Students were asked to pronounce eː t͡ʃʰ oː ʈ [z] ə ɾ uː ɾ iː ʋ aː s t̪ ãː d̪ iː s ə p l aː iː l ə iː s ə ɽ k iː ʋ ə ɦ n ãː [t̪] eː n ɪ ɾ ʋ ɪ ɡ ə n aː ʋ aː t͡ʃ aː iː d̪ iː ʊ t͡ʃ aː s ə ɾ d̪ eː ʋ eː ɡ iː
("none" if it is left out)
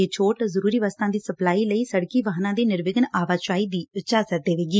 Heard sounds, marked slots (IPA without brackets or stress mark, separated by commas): z, d̪